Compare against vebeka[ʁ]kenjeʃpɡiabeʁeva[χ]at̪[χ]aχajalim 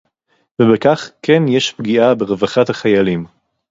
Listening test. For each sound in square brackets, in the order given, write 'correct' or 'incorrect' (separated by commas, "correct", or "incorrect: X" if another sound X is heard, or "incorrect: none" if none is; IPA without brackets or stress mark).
incorrect: χ, correct, incorrect: h